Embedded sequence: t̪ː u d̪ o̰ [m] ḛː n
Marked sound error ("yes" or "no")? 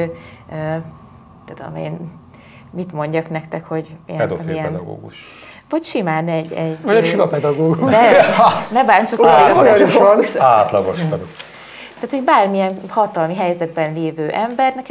no